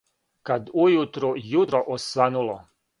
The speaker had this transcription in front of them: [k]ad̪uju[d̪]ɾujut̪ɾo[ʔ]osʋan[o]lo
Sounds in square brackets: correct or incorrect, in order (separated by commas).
correct, incorrect, correct, incorrect